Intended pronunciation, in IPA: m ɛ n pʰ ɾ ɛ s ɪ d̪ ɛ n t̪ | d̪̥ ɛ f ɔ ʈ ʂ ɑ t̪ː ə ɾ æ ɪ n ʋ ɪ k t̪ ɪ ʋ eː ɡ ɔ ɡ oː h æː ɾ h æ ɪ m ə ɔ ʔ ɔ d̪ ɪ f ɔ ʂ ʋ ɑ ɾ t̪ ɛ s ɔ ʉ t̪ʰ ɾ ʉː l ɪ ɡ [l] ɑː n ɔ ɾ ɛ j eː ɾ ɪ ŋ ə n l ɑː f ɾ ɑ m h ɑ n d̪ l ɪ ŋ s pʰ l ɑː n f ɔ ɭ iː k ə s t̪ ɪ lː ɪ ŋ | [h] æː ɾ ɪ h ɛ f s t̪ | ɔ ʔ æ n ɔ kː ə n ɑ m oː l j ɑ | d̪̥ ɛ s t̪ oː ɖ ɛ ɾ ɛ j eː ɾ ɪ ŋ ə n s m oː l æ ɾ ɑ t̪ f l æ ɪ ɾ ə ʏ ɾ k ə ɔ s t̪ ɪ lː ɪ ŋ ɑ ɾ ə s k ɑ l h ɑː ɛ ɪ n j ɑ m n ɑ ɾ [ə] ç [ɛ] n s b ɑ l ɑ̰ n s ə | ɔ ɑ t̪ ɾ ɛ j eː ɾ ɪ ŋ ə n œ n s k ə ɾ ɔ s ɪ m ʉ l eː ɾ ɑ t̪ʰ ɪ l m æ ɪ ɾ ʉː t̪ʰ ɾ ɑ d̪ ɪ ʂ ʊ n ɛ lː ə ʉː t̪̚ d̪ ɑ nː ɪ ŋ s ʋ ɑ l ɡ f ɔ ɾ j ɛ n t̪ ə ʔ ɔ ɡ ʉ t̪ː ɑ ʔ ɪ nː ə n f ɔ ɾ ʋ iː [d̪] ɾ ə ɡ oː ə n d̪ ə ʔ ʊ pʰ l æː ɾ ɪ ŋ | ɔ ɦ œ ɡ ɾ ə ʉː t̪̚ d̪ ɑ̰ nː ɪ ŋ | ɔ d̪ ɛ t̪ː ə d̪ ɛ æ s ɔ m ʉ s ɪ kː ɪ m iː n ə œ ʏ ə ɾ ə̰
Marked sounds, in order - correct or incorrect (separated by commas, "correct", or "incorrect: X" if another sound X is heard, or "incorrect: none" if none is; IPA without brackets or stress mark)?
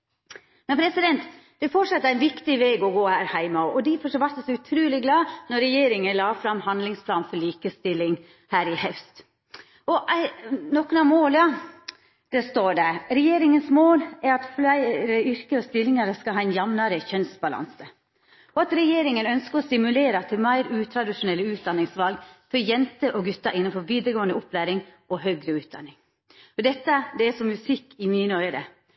correct, correct, correct, incorrect: œ, correct